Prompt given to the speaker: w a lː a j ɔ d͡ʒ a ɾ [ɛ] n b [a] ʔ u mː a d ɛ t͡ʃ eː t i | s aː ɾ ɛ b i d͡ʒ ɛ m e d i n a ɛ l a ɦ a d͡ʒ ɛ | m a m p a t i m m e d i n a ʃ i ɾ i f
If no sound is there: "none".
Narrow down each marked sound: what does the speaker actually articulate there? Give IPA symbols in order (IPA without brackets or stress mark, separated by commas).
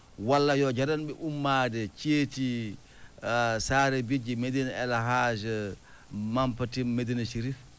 a, ɛ